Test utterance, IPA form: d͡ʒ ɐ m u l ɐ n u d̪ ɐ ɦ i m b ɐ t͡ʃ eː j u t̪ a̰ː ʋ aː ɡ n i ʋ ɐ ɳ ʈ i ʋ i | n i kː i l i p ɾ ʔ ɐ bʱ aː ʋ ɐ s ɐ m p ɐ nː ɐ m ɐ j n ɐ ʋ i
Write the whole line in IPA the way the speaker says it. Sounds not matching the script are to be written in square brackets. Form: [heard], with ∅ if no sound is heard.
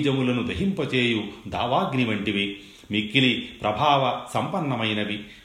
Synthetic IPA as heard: d͡ʒ ɐ m u l ɐ n u d̪ ɐ ɦ i m [p] ɐ t͡ʃ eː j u [d̪] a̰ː ʋ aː ɡ n i ʋ ɐ ɳ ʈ i ʋ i | [m] i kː i l i p ɾ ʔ ɐ bʱ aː ʋ ɐ s ɐ m p ɐ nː ɐ m ɐ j n ɐ ʋ i